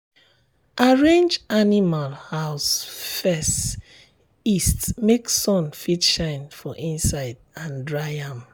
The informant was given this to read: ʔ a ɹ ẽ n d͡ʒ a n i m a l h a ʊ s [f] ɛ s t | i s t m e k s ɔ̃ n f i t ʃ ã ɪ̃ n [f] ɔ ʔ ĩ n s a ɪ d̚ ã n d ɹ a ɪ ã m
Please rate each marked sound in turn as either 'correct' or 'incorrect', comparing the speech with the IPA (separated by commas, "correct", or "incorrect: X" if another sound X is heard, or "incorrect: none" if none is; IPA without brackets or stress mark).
correct, correct